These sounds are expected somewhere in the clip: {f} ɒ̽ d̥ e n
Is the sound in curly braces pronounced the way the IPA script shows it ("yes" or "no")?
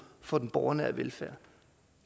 yes